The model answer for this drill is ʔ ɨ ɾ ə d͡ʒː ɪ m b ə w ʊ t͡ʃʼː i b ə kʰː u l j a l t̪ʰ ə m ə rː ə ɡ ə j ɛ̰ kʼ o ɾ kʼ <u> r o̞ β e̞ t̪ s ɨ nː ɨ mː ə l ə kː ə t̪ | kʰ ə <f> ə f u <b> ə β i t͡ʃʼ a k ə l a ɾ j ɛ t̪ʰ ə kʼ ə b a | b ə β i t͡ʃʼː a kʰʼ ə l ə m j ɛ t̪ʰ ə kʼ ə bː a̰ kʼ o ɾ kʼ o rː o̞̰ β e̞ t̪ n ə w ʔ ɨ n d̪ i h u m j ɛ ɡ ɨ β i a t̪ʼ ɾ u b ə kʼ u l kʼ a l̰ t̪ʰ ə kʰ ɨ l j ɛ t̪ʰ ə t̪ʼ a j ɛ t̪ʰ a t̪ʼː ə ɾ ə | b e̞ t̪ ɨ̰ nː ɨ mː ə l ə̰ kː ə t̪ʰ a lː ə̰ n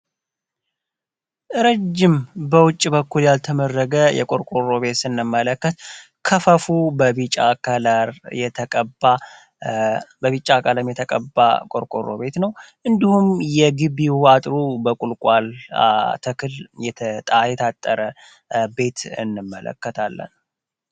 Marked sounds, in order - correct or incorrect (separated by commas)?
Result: incorrect, correct, correct